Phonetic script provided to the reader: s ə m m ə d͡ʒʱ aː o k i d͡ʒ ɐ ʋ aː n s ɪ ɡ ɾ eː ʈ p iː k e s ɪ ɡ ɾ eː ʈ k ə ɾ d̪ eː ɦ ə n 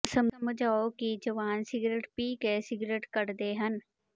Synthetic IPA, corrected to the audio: s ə m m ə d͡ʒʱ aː o k i d͡ʒ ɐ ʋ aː n s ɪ ɡ ɾ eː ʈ p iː k e s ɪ ɡ ɾ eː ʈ k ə ɾ d̪ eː ɦ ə n